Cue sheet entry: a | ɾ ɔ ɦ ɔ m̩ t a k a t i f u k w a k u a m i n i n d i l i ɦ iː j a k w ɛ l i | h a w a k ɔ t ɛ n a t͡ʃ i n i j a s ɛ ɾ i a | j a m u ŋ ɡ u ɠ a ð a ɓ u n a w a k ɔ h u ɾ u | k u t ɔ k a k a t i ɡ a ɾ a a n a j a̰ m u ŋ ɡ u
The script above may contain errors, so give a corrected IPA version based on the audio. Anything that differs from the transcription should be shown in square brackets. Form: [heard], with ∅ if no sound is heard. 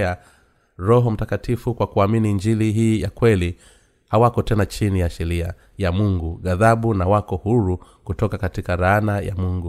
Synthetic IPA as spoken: a | ɾ ɔ ɦ ɔ m̩ t a k a t i f u k w a k u a m i n i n [d͡ʒ] i l i ɦ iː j a k w ɛ l i | h a w a k ɔ t ɛ n a t͡ʃ i n i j a [ʃ] ɛ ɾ i a | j a m u ŋ ɡ u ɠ a ð a ɓ u n a w a k ɔ h u ɾ u | k u t ɔ k a k a t i [k] a ɾ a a n a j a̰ m u ŋ ɡ u